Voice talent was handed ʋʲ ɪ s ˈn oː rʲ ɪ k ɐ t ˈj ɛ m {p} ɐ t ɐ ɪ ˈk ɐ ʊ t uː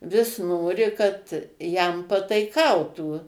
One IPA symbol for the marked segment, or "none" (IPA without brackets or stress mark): p